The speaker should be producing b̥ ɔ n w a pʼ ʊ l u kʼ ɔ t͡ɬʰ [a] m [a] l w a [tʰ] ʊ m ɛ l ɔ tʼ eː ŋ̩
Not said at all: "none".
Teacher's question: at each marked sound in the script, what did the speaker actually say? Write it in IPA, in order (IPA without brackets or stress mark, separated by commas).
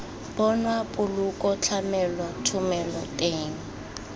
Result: a, ɛ, tʰ